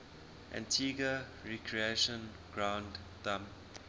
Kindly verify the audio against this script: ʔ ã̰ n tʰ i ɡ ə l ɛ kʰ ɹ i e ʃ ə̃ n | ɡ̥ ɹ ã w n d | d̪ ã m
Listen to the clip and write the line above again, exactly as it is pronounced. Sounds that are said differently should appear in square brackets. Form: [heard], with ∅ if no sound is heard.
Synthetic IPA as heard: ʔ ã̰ n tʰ i ɡ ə [ɹ] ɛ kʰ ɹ i e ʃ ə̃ n | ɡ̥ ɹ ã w n d | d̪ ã m